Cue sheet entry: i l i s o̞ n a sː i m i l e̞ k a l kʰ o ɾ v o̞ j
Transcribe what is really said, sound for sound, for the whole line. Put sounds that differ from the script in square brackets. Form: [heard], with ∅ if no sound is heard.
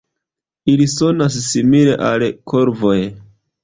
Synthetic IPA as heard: i l i s o̞ n a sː i m i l e̞ [ʔ] a l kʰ o ɾ v o̞ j